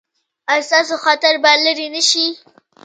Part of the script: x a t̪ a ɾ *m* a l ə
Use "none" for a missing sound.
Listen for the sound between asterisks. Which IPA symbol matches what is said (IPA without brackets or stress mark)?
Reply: b